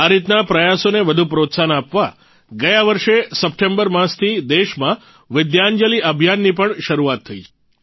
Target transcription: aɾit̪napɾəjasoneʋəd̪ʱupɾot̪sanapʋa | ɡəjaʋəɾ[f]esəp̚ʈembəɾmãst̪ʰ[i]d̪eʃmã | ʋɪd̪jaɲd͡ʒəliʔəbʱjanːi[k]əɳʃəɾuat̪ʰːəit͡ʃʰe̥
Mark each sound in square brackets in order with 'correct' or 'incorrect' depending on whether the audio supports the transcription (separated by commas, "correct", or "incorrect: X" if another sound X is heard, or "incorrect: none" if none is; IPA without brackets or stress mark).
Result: incorrect: ʃ, correct, incorrect: p